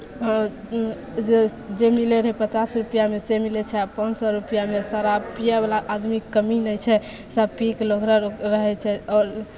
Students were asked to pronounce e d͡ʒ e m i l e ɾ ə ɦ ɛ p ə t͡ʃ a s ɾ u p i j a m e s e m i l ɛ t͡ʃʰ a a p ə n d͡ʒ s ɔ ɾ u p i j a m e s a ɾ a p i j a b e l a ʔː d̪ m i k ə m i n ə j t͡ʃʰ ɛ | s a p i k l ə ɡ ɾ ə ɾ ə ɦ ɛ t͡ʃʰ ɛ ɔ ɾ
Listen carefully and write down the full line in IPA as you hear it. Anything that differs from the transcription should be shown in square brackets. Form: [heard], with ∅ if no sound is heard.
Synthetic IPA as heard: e d͡ʒ e m i l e ɾ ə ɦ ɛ p ə t͡ʃ a s ɾ u p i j a m e s e m i l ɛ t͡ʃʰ [ɛ] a p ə n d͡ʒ s ɔ ɾ u p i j a m e s a ɾ a p i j a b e l a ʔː d̪ m i k ə m i n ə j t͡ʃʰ ɛ | s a p i k l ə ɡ ɾ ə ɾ ə ɦ ɛ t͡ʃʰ ɛ ɔ ɾ